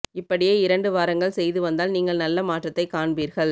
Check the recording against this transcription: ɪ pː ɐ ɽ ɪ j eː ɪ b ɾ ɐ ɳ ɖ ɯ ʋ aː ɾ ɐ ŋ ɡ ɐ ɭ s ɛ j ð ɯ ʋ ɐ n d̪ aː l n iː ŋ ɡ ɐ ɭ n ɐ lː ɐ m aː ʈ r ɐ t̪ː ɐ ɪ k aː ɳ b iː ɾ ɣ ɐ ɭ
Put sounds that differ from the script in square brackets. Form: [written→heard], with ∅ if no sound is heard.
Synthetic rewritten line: ɪ pː ɐ ɽ ɪ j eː ɪ [b→∅] ɾ ɐ ɳ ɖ ɯ ʋ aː ɾ ɐ ŋ ɡ ɐ ɭ s ɛ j ð ɯ ʋ ɐ n d̪ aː l n iː ŋ ɡ ɐ ɭ n ɐ lː ɐ m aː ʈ r ɐ t̪ː ɐ ɪ k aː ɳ b iː ɾ ɣ ɐ ɭ